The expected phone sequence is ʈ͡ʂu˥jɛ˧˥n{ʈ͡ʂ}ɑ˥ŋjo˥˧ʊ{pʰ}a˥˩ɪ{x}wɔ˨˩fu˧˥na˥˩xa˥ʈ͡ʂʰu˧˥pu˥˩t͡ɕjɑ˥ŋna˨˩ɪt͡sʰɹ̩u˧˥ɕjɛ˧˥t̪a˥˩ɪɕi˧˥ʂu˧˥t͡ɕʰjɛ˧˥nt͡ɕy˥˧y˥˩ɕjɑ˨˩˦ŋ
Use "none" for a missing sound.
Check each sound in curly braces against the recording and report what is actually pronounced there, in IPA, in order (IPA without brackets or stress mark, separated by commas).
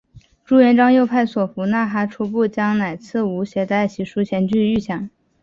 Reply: ʈ͡ʂ, pʰ, s